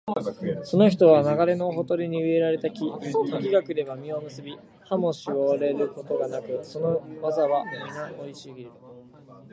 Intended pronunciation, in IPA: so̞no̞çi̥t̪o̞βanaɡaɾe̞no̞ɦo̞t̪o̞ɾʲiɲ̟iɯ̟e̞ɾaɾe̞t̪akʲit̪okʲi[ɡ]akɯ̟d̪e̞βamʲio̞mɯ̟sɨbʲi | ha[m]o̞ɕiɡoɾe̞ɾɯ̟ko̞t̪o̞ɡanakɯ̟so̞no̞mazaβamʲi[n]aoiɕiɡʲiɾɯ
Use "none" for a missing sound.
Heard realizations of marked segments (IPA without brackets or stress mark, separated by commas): ɡ, m, n